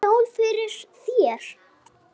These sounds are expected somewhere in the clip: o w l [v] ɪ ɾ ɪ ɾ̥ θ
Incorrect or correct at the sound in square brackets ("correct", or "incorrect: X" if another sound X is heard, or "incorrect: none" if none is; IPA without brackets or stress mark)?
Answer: incorrect: f